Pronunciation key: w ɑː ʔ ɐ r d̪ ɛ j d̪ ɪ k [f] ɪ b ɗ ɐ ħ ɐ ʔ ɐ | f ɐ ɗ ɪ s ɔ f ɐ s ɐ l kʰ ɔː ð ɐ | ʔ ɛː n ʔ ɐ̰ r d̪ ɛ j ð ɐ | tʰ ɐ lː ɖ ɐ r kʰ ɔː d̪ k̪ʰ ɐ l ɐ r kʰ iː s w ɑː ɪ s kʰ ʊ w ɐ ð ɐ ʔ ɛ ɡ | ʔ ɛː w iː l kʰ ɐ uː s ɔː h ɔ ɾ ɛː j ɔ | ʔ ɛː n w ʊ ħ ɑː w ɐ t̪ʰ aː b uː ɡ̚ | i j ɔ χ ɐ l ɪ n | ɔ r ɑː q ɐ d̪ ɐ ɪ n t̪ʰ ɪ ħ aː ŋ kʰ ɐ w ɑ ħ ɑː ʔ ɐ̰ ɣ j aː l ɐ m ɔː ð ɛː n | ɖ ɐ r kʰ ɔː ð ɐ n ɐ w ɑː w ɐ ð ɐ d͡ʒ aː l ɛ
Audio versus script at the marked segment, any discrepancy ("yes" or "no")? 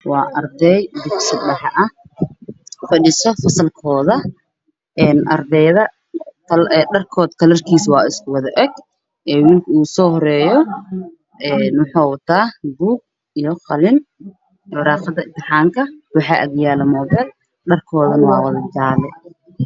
yes